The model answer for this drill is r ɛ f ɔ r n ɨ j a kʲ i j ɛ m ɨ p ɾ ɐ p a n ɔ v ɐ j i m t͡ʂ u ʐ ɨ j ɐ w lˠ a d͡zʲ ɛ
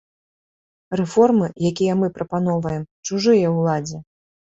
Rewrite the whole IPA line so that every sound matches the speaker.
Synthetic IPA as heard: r ɛ f ɔ r m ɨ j a kʲ i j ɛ m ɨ p ɾ ɐ p a n ɔ v ɐ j ɛ m t͡ʂ u ʐ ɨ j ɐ w lˠ a d͡zʲ ɛ